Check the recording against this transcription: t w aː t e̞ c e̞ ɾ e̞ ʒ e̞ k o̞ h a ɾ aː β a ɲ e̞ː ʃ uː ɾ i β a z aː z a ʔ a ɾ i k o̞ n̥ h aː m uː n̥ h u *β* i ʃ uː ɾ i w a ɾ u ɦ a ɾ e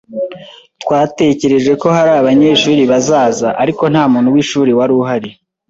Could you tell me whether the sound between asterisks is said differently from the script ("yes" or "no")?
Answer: yes